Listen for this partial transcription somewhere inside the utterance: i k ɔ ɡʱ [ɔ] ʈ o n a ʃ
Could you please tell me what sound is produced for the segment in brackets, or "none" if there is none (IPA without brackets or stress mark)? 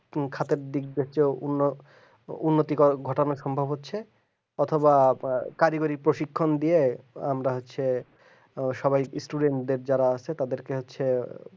ɔ